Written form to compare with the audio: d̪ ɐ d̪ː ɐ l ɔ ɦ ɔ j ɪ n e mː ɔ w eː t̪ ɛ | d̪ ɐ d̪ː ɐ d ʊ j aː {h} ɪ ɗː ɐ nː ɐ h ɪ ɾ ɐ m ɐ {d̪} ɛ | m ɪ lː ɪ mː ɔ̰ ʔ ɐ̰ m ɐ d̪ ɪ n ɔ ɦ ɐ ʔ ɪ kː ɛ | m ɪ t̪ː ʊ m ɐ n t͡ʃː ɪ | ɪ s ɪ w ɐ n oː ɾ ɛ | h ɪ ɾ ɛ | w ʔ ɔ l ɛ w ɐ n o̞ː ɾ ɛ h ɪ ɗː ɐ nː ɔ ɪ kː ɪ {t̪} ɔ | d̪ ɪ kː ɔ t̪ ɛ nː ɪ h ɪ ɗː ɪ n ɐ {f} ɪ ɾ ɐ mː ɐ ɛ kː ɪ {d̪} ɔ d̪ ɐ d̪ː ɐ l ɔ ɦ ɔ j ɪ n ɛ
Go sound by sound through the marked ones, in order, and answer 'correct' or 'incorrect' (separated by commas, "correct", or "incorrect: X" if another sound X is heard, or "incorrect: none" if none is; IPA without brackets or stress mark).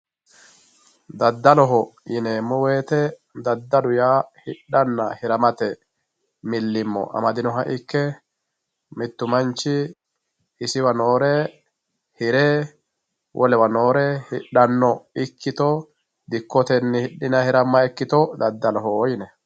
correct, incorrect: t̪, correct, incorrect: h, incorrect: t̪